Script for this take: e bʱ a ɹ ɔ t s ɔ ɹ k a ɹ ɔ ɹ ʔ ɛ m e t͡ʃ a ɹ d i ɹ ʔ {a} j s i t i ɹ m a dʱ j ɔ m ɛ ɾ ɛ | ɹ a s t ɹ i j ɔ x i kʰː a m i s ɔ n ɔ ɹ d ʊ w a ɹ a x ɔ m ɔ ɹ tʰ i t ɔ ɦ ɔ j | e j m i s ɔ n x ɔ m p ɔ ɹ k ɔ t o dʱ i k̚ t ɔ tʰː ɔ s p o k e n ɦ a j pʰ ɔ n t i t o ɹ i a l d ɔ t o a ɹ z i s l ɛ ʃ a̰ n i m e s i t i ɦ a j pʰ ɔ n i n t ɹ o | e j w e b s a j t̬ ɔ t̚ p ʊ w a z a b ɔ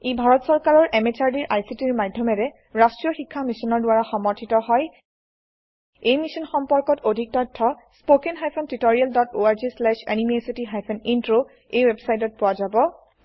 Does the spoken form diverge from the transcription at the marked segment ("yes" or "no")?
no